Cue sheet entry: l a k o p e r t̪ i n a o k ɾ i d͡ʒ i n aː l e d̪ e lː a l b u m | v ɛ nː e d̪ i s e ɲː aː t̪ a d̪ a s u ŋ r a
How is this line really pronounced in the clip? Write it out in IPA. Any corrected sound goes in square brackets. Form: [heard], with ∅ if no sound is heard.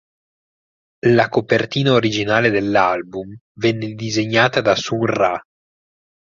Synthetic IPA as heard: l a k o p e r t̪ [iː] n a o [∅] ɾ i d͡ʒ i n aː l e d̪ e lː a l b u m | v ɛ nː e d̪ i [z] e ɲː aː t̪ a d̪ a s u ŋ r a